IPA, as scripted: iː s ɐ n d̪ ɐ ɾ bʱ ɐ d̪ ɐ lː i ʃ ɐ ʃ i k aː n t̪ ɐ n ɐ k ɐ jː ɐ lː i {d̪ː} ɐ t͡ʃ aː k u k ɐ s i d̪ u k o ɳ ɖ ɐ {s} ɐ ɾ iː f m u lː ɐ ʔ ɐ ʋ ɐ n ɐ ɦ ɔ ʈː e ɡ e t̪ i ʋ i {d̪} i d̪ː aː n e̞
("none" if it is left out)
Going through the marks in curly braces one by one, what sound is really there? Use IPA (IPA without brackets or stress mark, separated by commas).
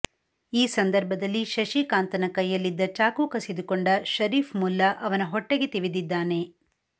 d̪ː, ʃ, d̪